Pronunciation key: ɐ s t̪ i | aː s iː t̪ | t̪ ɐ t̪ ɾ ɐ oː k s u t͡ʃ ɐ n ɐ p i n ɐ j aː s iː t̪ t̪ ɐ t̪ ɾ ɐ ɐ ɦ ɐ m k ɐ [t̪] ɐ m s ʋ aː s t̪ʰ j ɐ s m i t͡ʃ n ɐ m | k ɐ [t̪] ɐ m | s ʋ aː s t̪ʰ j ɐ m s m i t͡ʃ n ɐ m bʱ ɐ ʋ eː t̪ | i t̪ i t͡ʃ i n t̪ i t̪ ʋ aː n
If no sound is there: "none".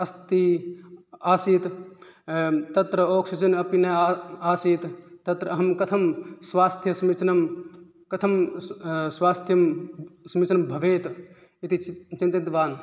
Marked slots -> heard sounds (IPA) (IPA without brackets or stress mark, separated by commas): t̪ʰ, t̪ʰ